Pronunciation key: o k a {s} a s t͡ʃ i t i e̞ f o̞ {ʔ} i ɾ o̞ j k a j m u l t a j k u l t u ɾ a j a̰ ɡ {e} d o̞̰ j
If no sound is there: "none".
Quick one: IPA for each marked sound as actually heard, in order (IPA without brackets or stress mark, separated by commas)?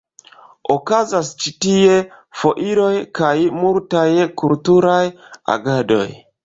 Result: z, ʔ, a